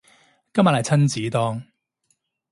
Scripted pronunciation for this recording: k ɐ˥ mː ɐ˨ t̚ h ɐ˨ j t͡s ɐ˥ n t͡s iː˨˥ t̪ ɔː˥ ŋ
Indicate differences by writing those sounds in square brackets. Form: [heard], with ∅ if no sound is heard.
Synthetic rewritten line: k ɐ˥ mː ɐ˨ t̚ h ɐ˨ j [t͡sʰ] ɐ˥ n t͡s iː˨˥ t̪ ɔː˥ ŋ